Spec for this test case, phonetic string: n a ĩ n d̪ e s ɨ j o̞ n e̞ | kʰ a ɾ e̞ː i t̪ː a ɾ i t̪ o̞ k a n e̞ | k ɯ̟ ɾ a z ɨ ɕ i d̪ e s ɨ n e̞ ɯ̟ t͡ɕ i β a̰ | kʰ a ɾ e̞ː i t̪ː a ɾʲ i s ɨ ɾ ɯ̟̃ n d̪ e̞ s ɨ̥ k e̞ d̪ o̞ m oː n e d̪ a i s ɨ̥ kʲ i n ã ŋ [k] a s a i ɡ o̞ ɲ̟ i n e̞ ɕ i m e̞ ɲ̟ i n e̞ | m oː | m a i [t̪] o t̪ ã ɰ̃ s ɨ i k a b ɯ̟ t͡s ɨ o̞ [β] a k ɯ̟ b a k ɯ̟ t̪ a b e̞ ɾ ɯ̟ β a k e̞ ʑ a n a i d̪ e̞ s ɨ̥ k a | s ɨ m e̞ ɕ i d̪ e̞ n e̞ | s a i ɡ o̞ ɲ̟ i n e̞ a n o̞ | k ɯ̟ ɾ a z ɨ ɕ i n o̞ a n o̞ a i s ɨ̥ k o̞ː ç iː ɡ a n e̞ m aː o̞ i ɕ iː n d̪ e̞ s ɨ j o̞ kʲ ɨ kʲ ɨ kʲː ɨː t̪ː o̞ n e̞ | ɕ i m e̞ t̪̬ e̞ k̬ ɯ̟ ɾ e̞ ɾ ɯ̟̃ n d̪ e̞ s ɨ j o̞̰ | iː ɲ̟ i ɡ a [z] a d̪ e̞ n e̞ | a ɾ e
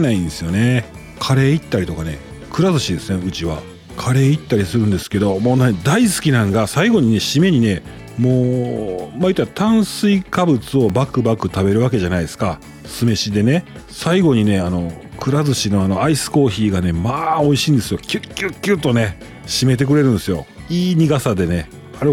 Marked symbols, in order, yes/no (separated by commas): no, yes, no, no